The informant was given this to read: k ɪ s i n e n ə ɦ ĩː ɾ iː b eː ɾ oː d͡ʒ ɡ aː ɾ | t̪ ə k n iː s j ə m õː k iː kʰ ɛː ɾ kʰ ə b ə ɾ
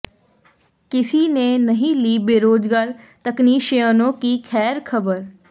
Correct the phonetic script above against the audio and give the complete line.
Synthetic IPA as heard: k ɪ s i n e n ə ɦ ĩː l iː b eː ɾ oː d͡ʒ ɡ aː ɾ | t̪ ə k n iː ʃ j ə n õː k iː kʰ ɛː ɾ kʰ ə b ə ɾ